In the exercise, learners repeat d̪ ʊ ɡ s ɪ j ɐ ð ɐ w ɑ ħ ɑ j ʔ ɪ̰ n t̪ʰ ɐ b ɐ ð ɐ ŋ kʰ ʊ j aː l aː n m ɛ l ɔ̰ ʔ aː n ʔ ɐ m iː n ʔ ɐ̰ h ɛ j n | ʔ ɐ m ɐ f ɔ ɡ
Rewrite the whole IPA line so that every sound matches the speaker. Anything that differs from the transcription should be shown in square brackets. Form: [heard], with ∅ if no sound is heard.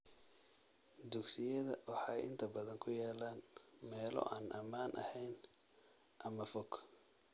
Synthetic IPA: d̪ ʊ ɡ s ɪ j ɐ ð ɐ w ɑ ħ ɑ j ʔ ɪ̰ n t̪ʰ ɐ b ɐ ð ɐ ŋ kʰ ʊ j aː l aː n m [ɛː] l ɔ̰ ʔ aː n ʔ ɐ m [aː] n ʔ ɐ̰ h ɛ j n | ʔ ɐ m ɐ f ɔ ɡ

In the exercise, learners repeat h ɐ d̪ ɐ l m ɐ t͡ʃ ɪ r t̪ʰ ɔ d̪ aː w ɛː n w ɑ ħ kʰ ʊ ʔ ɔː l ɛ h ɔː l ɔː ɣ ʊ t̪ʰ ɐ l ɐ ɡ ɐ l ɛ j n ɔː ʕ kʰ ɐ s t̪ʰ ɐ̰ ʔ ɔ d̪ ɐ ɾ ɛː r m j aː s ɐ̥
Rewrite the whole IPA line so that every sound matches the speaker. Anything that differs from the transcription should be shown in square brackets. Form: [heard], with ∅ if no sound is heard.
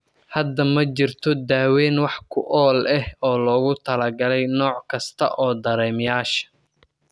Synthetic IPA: h ɐ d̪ ɐ [∅] m ɐ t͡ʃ ɪ r t̪ʰ ɔ d̪ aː w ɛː n w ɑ ħ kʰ ʊ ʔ ɔː l ɛ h ɔː l ɔː ɣ ʊ t̪ʰ ɐ l ɐ ɡ ɐ l ɛ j n ɔː ʕ kʰ ɐ s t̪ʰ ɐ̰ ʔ [ɔː] d̪ ɐ ɾ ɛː [∅] m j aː [ʃ] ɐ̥

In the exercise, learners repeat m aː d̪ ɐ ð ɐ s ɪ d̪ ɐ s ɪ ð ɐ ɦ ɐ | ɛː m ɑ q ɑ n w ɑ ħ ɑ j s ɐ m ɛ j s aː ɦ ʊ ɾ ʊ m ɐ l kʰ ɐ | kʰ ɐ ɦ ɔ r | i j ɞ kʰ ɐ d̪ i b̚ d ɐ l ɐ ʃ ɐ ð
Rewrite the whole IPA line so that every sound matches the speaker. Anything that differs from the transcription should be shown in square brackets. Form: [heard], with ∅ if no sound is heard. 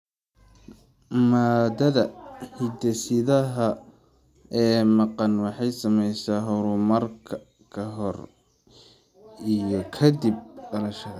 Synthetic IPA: m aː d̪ ɐ ð ɐ [h] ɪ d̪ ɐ s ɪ ð ɐ ɦ ɐ | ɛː m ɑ q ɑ n w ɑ ħ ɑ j s ɐ m ɛ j s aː ɦ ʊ ɾ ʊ m ɐ [r] kʰ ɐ | kʰ ɐ ɦ ɔ r | i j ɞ kʰ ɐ d̪ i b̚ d ɐ l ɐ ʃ ɐ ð

